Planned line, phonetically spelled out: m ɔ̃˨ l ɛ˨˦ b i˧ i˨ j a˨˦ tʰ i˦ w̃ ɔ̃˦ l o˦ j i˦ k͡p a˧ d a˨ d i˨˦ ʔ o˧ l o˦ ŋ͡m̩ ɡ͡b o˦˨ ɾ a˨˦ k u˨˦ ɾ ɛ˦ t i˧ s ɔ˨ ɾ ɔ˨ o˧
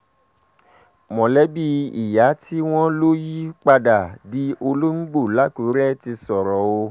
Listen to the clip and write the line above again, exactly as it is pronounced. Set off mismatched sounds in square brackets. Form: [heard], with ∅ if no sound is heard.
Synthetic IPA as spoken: m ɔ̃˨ l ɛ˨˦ b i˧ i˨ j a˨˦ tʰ i˦ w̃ ɔ̃˦ l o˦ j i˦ k͡p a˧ d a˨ d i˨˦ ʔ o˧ l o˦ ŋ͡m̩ ɡ͡b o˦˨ [l] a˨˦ k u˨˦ ɾ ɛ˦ t i˧ s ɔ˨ ɾ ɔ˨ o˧